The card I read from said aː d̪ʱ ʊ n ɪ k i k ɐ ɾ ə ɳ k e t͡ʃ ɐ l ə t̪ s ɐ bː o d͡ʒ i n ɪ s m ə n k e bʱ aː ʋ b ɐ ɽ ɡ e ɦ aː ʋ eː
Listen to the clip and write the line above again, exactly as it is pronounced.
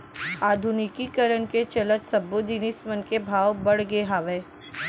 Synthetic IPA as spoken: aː d̪ʱ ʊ n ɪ k i k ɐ ɾ ə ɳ k e t͡ʃ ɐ l ə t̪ s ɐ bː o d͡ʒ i n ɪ s m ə n k e bʱ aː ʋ b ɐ ɽ ɡ e ɦ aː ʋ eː